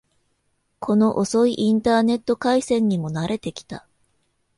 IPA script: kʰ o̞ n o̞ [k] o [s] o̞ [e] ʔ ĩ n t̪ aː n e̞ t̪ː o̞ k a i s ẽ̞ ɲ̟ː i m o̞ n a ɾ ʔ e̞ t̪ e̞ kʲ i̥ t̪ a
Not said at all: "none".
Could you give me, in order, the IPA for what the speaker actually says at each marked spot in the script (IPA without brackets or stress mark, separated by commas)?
ʔ, s, i